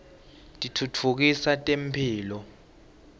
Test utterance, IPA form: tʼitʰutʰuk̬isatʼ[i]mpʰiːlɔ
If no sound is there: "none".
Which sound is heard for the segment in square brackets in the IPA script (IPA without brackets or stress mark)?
e